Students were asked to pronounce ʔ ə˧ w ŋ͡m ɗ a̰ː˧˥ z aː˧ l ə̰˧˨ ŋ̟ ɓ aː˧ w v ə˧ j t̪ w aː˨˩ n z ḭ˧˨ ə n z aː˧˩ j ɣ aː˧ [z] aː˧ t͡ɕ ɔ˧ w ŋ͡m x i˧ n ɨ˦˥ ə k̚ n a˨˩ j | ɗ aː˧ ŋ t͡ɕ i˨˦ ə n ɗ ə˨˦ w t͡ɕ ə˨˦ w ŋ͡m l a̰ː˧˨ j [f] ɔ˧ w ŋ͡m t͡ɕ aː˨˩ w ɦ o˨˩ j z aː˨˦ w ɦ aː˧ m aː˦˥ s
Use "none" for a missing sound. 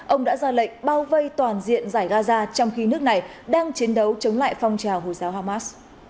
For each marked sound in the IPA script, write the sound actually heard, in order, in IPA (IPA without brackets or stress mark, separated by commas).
z, f